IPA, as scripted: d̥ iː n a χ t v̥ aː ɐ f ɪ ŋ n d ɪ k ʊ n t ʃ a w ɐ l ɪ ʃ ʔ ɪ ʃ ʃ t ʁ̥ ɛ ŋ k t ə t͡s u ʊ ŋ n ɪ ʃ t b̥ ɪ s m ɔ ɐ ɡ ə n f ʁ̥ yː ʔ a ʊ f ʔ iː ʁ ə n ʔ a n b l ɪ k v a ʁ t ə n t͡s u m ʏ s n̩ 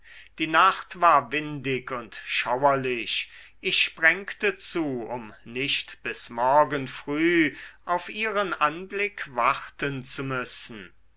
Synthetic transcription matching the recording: d̥ iː n a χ t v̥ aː ɐ v ɪ n d ɪ k ʊ n t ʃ a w ɐ l ɪ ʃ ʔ ɪ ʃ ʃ p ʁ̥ ɛ ŋ k t ə t͡s uː ʊ m n ɪ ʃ t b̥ ɪ s m ɔ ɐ ɡ ə n f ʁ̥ yː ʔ a ʊ f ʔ iː ʁ ə n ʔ a n b l ɪ k v a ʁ t ə n t͡s u m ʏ s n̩

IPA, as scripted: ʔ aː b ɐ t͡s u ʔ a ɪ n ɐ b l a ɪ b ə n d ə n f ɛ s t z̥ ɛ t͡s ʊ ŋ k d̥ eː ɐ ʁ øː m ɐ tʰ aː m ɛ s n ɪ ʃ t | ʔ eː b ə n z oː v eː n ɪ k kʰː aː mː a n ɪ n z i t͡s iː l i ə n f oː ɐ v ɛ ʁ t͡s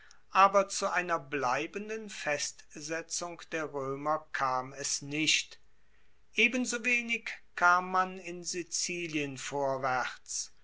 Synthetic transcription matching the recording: ʔ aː b ɐ t͡s u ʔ a ɪ n ɐ b l a ɪ b ə n d ə n f ɛ s t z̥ ɛ t͡s ʊ ŋ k d̥ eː ɐ ʁ øː m ɐ kʰ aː m ɛ s n ɪ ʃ t | ʔ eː b ə n z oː v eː n ɪ k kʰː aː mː a n ɪ n z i t͡s iː l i ə n f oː ɐ v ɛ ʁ t͡s

